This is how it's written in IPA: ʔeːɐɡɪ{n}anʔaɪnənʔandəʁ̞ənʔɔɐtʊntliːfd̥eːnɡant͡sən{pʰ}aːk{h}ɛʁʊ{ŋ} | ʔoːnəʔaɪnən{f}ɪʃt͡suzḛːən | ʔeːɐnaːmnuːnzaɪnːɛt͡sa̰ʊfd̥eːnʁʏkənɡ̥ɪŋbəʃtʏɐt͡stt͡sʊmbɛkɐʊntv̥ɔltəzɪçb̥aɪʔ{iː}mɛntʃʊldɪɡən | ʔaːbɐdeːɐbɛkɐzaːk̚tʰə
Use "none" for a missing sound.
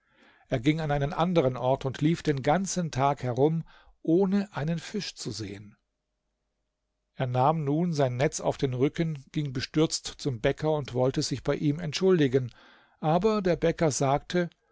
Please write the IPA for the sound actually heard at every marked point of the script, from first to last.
ŋ, tʰ, h, m, f, iː

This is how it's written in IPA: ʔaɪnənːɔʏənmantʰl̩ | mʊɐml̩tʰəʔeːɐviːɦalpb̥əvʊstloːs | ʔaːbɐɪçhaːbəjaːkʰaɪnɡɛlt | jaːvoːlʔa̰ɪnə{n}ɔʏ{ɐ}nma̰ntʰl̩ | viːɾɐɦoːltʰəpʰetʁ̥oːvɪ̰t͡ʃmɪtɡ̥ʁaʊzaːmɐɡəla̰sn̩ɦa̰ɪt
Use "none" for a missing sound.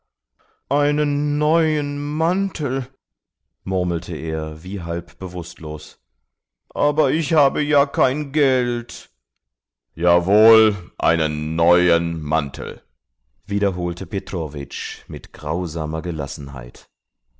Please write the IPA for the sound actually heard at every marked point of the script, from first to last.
nː, ə

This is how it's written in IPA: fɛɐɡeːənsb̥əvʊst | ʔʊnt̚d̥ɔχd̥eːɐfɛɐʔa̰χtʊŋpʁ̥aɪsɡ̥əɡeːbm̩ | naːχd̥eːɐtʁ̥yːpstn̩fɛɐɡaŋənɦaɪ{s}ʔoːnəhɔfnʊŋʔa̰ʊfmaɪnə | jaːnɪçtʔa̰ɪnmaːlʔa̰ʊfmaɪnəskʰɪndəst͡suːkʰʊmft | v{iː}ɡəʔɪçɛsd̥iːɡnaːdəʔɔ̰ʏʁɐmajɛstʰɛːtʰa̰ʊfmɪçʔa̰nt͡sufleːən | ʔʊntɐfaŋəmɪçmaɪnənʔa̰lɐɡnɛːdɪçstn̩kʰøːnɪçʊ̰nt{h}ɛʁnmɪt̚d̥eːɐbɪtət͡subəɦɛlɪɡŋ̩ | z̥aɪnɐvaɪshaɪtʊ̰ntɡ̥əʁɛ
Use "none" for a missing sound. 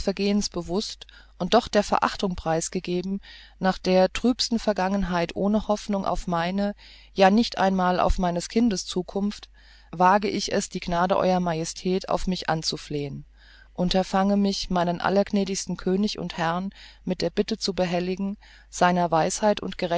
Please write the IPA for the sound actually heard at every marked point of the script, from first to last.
t, aː, h

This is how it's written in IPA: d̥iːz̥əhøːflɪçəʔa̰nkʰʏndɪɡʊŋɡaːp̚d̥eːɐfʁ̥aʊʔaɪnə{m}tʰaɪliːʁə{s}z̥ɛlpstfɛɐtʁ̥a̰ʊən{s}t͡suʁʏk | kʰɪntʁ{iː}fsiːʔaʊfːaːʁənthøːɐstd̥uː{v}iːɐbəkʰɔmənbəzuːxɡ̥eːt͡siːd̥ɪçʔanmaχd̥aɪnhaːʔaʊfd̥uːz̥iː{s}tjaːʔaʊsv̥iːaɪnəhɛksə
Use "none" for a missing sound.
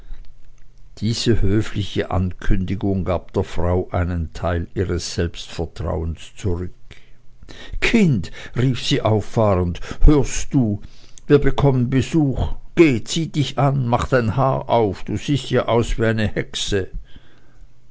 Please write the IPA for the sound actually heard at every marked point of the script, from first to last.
n, s, s, iː, v, s

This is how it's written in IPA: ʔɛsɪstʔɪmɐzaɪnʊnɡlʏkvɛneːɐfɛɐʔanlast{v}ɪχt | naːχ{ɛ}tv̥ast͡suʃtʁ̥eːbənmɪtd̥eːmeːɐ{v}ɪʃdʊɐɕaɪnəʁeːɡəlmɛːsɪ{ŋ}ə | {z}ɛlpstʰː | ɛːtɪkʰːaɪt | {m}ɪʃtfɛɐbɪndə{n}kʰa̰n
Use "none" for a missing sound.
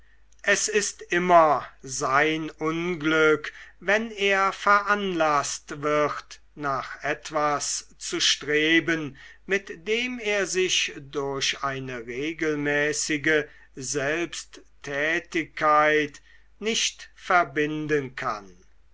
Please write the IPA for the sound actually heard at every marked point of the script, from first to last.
v, ɛ, z, ɡ, z, n, n

